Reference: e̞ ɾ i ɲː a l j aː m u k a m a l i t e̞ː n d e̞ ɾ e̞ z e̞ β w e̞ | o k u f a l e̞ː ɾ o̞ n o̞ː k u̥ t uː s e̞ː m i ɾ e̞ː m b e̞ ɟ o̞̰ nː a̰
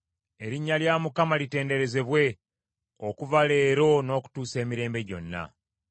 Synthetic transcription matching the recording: e̞ ɾ i ɲː a l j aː m u k a m a l i t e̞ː n d e̞ ɾ e̞ z e̞ β w e̞ | o k u v a l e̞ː ɾ o̞ n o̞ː k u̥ t uː s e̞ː m i ɾ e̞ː m b e̞ ɟ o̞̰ nː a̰

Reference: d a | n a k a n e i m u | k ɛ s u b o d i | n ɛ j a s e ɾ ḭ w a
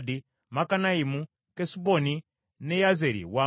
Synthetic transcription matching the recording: d i | m a k a n a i m u | k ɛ s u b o n i | n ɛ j a z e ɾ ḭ w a

